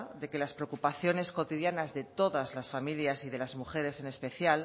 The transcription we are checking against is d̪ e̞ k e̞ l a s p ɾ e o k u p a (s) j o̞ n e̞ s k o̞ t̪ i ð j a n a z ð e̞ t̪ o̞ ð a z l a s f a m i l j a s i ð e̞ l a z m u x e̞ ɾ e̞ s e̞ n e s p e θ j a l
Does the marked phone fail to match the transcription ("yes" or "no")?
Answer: yes